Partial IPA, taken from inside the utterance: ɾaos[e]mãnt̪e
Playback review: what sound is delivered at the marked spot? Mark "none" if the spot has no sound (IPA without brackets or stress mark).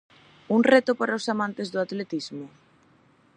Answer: a